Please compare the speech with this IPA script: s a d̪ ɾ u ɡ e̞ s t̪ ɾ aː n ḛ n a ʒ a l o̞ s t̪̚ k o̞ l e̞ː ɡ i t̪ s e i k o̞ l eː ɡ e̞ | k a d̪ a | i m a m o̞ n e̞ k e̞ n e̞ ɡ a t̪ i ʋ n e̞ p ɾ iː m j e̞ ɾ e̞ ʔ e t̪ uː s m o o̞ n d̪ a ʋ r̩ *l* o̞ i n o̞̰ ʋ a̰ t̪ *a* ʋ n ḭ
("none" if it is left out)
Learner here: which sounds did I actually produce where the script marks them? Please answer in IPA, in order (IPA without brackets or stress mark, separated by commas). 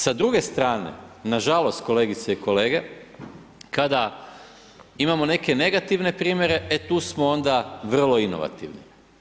l, i